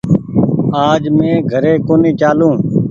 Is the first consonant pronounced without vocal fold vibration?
no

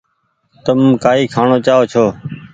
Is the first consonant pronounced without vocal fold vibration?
yes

